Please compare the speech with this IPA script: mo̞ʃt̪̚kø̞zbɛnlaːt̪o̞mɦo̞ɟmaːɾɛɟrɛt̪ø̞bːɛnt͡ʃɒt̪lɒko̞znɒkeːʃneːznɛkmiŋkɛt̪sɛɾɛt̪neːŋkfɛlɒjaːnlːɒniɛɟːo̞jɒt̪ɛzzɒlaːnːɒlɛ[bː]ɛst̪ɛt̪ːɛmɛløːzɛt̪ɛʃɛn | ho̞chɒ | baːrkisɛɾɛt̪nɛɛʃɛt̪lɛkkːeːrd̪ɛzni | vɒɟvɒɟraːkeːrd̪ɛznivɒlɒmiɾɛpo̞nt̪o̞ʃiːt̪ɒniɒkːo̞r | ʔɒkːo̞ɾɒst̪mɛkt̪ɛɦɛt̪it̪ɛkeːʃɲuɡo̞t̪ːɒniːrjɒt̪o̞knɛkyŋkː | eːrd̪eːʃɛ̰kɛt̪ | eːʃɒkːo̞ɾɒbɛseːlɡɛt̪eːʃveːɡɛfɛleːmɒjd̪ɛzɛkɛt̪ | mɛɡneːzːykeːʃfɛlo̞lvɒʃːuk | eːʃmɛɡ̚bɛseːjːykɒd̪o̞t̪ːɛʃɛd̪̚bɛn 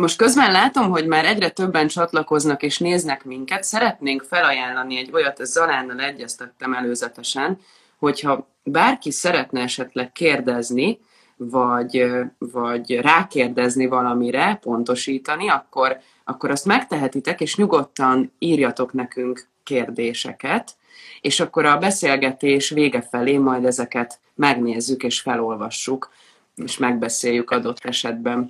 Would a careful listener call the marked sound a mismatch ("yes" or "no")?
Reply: yes